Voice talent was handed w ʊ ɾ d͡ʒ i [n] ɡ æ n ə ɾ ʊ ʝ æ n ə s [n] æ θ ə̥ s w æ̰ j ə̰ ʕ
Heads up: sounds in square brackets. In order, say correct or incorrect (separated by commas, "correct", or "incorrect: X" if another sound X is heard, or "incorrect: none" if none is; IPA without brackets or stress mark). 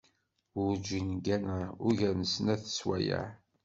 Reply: correct, correct